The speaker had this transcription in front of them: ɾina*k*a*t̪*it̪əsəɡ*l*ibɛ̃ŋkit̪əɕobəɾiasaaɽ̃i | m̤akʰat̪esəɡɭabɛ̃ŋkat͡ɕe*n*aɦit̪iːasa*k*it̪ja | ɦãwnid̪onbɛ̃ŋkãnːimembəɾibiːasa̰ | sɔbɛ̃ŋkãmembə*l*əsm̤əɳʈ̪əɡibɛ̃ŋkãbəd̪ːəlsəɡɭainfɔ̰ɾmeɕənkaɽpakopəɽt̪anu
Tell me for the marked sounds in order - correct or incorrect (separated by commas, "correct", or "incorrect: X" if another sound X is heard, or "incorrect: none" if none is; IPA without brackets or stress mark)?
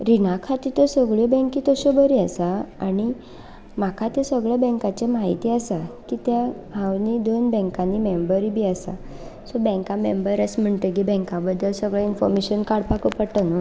incorrect: kʰ, correct, incorrect: ɭ, incorrect: m, correct, incorrect: ɾ